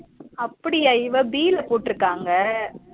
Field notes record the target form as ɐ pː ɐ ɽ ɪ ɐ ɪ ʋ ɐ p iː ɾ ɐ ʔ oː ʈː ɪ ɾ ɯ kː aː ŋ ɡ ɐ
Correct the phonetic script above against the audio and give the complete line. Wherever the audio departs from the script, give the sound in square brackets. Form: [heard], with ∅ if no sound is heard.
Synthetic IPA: ɐ pː ɐ ɽ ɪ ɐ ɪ ʋ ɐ [b] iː [l] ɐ [p] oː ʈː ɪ ɾ ɯ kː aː ŋ ɡ ɐ